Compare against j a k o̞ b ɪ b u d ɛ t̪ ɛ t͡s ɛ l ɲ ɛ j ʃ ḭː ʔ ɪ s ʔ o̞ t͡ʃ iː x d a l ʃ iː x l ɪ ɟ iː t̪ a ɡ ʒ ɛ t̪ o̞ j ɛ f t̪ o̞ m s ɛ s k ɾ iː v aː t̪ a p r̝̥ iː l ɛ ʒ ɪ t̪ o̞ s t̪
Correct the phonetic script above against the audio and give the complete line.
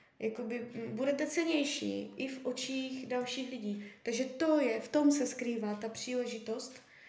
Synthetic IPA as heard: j a k o̞ b ɪ b u d ɛ t̪ ɛ t͡s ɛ l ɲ ɛ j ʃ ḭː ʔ ɪ f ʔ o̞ t͡ʃ iː x d a l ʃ iː x l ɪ ɟ iː t̪ a ɡ ʒ ɛ t̪ o̞ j ɛ f t̪ o̞ m s ɛ s k ɾ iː v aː t̪ a p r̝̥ iː l ɛ ʒ ɪ t̪ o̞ s t̪